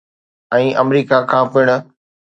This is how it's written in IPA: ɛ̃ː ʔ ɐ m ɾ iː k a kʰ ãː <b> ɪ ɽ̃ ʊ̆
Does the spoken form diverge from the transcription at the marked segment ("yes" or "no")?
yes